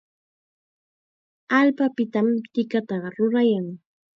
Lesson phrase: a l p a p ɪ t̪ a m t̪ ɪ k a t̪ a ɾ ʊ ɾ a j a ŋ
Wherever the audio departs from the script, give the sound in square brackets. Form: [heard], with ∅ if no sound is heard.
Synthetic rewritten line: a l p a p ɪ t̪ a m t̪ ɪ k a t̪ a ɾ ʊ ɾ a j a ŋ